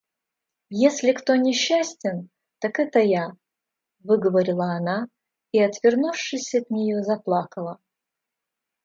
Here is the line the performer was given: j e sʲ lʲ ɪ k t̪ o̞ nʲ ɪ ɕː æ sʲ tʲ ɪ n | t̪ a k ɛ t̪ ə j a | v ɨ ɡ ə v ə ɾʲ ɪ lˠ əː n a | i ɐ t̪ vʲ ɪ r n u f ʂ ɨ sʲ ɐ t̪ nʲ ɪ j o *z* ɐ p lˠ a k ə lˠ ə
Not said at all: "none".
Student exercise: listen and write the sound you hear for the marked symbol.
z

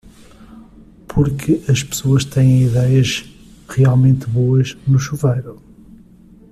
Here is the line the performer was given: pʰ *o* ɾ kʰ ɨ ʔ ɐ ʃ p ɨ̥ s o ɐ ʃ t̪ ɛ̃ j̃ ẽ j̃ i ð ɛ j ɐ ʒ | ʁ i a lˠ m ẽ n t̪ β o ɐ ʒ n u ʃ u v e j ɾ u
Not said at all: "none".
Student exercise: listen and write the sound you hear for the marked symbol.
u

